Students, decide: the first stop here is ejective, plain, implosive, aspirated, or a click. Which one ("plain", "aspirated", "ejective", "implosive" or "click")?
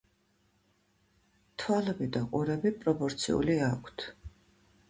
aspirated